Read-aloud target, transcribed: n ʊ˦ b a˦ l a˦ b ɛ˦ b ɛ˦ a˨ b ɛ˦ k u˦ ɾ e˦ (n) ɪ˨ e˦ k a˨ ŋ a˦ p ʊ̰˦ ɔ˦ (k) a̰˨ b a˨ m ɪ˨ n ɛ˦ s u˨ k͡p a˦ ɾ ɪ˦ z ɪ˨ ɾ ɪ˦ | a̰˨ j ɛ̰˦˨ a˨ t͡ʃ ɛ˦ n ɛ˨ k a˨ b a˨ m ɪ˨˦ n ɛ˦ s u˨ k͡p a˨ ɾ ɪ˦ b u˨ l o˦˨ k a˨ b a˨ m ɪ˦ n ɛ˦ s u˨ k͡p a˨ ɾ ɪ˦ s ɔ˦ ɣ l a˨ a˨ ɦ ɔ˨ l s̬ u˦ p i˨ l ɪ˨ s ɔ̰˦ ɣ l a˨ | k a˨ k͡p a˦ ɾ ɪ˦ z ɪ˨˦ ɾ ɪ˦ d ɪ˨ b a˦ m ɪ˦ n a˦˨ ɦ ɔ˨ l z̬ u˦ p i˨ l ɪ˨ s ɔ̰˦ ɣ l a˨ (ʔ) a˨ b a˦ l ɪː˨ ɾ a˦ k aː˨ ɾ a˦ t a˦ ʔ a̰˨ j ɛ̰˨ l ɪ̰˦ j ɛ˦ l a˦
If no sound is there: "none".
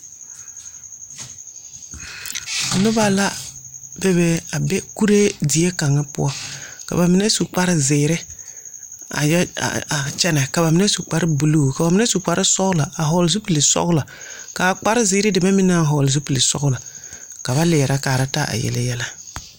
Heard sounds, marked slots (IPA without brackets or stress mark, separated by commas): d, k, k